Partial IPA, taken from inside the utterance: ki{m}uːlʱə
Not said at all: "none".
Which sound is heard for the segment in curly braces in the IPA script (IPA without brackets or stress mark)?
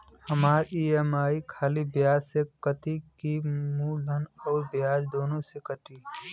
m